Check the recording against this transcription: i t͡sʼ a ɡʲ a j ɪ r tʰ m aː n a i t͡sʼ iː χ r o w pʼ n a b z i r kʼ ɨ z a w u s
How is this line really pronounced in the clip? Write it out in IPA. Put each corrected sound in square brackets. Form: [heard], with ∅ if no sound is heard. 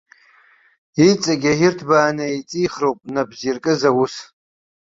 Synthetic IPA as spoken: i t͡sʼ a ɡʲ a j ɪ r tʰ [b] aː n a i t͡sʼ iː χ r o w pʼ n a b z i r kʼ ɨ z a w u s